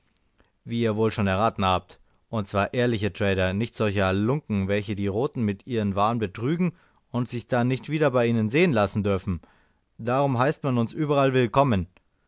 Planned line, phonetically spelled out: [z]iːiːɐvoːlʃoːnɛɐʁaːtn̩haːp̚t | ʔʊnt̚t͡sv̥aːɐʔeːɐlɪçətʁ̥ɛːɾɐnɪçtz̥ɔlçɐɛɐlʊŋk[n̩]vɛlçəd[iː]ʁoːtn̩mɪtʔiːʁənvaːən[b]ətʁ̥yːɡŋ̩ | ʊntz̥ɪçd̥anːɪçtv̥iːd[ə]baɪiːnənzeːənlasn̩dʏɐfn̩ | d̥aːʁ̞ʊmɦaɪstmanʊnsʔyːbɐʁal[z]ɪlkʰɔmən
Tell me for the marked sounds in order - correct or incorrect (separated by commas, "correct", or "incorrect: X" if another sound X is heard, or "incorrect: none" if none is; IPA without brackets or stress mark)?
incorrect: v, incorrect: ŋ̩, correct, correct, incorrect: ɐ, incorrect: v